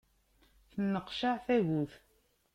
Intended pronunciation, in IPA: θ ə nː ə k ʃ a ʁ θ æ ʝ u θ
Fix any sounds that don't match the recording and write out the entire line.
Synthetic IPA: θ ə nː ə q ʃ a ʕ θ æ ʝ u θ